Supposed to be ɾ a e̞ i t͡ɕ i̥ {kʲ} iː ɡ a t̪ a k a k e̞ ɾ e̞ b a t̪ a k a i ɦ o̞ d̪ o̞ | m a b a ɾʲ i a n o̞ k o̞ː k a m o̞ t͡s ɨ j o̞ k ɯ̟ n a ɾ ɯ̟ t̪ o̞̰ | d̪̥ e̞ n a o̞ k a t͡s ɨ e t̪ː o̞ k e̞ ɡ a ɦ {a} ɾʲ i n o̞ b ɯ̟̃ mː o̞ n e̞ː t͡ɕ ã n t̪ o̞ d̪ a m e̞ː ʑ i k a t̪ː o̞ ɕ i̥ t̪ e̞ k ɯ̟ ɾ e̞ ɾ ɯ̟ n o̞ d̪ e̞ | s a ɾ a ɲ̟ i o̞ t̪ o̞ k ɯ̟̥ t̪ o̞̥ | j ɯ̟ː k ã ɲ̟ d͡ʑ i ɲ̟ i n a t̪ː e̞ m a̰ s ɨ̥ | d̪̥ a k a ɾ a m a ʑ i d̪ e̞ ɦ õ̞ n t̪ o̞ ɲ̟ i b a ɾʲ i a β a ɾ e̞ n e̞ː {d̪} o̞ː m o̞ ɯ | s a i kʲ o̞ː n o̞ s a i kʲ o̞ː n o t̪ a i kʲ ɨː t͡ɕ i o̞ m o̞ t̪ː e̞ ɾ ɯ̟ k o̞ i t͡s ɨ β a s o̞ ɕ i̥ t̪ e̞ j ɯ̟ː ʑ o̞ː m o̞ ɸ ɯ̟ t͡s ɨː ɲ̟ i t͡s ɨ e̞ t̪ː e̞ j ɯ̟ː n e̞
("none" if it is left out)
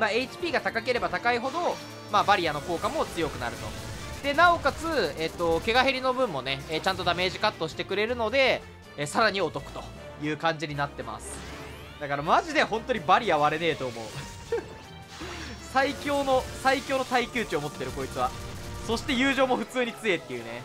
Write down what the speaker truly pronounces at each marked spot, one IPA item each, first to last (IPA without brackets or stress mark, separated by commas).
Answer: pʲ, e, t̪